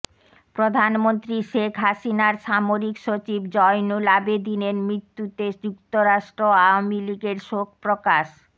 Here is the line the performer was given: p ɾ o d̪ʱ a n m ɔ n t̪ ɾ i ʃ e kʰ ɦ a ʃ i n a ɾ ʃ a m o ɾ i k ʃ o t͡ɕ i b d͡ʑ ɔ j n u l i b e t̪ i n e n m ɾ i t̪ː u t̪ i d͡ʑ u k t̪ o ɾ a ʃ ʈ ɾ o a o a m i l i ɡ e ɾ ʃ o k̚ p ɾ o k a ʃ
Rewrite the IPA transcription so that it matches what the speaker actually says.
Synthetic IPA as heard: p ɾ o d̪ʱ a n m o n t̪ ɾ i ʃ e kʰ ɦ a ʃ i n a ɾ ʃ a m o ɾ i k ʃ o t͡ɕ i b d͡ʑ ɔ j n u l a b e d̪ i n e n m ɾ i t̪ː u t̪ e d͡ʑ u k t̪ o ɾ a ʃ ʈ ɾ o a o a m i l i ɡ e ɾ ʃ o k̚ p ɾ o k a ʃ